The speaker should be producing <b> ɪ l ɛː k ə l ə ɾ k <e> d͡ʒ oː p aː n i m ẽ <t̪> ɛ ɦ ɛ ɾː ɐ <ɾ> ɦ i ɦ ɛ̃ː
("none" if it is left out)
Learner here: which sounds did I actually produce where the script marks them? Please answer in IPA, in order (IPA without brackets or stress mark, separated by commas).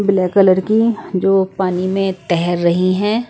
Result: b, i, t̪, none